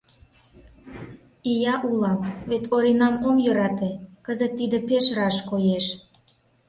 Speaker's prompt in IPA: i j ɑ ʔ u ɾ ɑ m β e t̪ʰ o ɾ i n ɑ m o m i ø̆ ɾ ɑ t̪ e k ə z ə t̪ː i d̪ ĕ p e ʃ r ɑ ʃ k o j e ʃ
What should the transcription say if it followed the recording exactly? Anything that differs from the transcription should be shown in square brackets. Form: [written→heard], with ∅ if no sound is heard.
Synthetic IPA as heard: i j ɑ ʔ u [ɾ→l] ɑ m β e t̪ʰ o ɾ i n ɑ m o m [i→j] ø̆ ɾ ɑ t̪ e k ə z ə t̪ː i d̪ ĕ p e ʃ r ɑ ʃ k o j e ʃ

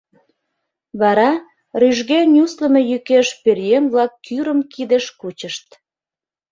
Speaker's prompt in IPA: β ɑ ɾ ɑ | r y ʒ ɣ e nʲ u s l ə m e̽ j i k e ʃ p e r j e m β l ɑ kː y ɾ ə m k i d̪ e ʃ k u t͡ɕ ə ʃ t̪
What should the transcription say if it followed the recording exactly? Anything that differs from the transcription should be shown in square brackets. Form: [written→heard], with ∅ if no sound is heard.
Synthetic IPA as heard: β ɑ ɾ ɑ | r y ʒ ɣ e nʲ u s l ə m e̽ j [i→y] k e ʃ p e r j e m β l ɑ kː y ɾ ə m k i d̪ e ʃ k u t͡ɕ ə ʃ t̪

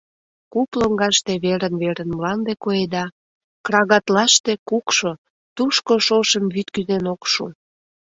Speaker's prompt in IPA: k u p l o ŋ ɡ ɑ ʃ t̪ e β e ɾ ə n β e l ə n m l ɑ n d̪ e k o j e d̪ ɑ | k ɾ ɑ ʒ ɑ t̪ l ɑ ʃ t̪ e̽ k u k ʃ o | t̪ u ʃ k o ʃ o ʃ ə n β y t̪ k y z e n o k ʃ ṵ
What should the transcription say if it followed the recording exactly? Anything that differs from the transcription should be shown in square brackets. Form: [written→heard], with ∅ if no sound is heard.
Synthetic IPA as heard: k u p l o ŋ ɡ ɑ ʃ t̪ e β e ɾ ə n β e [l→ɾ] ə n m l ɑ n d̪ e k o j e d̪ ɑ | k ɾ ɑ [ʒ→ɣ] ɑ t̪ l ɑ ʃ t̪ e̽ k u k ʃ o | t̪ u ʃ k o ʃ o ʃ ə [n→m] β y t̪ k y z e n o k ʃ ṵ

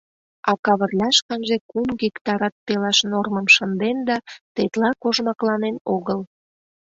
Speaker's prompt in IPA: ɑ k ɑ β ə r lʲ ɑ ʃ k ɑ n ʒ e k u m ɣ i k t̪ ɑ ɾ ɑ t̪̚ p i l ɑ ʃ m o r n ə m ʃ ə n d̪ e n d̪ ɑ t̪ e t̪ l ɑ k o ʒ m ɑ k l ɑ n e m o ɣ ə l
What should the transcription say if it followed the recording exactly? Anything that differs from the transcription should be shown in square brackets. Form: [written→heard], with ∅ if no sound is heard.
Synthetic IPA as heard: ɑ k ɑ β ə r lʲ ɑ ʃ k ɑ n ʒ e k u m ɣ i k t̪ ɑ ɾ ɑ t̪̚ p [i→e] l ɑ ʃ [m→n] o r [n→m] ə m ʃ ə n d̪ e n d̪ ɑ t̪ e t̪ l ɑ k o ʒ m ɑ k l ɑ n e [m→n] o ɣ ə l

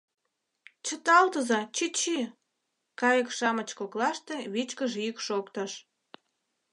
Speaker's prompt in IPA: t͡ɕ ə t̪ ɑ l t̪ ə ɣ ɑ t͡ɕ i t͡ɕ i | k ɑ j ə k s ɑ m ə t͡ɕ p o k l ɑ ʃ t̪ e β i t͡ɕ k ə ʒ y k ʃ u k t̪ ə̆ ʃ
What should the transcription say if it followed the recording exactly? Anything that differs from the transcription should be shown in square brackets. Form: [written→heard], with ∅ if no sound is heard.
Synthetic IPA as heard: t͡ɕ ə t̪ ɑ l t̪ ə [ɣ→z] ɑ t͡ɕ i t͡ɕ i | k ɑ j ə k [s→ʃ] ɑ m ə t͡ɕ [p→k] o k l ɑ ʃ t̪ e β i t͡ɕ k ə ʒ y k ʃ [u→o] k t̪ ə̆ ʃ

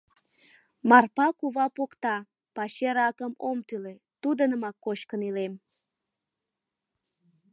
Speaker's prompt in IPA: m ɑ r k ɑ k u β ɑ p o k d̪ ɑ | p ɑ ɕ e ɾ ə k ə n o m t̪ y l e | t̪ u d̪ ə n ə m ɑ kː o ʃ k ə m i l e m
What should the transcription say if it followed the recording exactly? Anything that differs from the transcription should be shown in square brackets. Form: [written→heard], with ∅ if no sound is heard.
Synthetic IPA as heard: m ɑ r [k→p] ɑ k u β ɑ p o k [d̪→t̪] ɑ | p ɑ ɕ e ɾ [ə→ɑ] k ə [n→m] o m t̪ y l e | t̪ u d̪ ə n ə m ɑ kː o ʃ k ə [m→n] i l e m

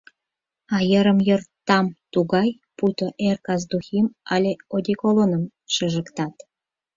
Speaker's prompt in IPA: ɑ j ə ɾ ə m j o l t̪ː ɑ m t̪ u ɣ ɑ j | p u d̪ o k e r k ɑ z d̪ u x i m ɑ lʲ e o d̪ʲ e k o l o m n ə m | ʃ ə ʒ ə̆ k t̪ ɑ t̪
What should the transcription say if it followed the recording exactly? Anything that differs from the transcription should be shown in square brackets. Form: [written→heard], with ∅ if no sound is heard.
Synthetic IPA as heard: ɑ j ə ɾ ə m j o [l→r] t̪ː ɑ m t̪ u ɣ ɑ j | p u [d̪→t̪] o [k→ʔ] e r k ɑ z d̪ u x i m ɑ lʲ e o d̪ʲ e k o l o [m→∅] n ə m | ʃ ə ʒ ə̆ k t̪ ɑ t̪

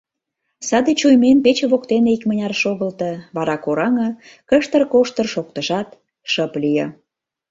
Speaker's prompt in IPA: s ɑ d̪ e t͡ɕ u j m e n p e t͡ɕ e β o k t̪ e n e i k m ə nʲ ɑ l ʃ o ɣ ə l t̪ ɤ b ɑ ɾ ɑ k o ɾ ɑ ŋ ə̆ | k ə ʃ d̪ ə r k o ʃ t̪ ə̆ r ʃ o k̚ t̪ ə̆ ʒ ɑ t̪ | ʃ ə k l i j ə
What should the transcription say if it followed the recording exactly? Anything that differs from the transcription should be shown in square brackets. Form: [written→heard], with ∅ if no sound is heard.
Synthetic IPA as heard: s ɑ d̪ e t͡ɕ u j m e n p e t͡ɕ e β o k t̪ e n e i k m ə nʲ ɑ [l→r] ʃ o ɣ ə l t̪ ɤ [b→β] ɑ ɾ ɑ k o ɾ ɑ ŋ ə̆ | k ə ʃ [d̪→t̪] ə r k o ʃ t̪ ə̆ r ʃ o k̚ t̪ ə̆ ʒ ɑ t̪ | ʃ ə [k→p] l i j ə

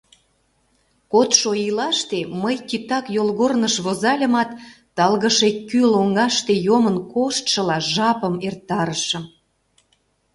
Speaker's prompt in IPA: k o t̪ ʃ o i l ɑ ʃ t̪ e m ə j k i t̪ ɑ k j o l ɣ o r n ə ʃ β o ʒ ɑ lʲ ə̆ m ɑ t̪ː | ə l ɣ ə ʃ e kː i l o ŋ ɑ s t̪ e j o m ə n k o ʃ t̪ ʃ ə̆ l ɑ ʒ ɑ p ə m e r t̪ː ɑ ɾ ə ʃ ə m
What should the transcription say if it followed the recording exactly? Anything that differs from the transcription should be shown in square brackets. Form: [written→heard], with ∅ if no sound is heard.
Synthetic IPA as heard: k o t̪ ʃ o i l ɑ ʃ t̪ e m ə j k i t̪ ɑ k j o l ɣ o r n ə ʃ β o [ʒ→z] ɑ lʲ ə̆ m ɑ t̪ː | [ə→ɑ] l ɣ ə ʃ e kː [i→y] l o ŋ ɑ [s→ʃ] t̪ e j o m ə n k o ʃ t̪ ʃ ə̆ l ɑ ʒ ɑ p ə m e r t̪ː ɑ ɾ ə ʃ ə m

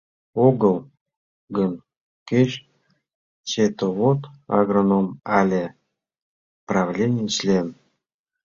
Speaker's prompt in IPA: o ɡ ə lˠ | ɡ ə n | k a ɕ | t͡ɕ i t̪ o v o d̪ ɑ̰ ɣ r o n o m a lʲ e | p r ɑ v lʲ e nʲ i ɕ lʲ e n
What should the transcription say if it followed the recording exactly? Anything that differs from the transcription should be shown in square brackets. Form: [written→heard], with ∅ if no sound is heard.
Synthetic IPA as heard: o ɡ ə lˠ | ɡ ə n | k [a→e] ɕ | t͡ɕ [i→e] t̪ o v o [d̪→t̪] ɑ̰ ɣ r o n o m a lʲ e | p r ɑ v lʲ e nʲ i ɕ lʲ e n

